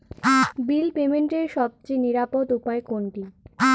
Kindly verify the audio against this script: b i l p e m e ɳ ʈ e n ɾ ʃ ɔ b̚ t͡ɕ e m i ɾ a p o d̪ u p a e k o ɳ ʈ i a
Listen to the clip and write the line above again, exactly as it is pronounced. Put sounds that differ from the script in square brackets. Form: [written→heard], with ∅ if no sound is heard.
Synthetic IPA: b i l p e m e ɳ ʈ e [n→∅] ɾ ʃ ɔ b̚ t͡ɕ e [m→n] i ɾ a p o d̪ u p a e k o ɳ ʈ i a